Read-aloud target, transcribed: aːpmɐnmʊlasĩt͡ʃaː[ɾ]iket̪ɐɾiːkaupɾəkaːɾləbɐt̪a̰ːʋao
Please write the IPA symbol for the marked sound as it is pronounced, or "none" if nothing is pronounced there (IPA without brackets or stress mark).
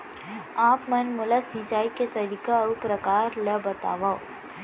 none